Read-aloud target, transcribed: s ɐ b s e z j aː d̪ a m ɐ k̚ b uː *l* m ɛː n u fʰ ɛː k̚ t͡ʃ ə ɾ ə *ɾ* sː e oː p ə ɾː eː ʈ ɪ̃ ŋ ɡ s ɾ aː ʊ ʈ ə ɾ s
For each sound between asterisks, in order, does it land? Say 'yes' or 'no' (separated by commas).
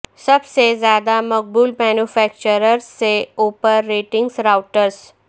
yes, yes